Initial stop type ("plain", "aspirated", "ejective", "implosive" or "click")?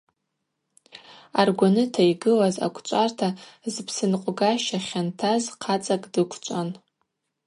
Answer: plain